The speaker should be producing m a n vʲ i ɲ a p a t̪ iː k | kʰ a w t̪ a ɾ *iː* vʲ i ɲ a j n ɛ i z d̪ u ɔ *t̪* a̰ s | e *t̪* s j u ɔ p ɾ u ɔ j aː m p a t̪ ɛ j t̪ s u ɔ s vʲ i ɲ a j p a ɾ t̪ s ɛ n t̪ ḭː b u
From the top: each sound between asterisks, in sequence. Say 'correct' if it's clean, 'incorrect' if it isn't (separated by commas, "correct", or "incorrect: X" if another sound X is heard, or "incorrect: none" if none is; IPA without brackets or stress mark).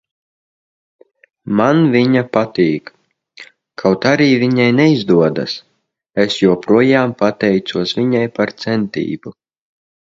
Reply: correct, incorrect: d̪, incorrect: none